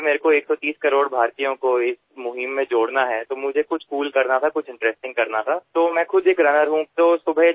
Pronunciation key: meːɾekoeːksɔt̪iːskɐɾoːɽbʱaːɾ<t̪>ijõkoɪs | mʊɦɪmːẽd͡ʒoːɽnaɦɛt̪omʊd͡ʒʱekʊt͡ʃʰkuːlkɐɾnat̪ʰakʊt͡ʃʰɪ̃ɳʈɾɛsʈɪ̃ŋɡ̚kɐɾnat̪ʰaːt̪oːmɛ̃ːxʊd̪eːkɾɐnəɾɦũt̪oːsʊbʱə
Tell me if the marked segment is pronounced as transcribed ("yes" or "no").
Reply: yes